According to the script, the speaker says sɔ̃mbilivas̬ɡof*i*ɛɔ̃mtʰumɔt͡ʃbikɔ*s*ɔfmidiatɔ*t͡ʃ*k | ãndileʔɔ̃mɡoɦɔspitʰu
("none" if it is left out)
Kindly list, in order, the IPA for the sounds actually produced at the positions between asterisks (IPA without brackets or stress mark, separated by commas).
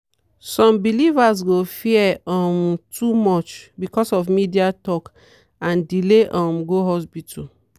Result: i, s, none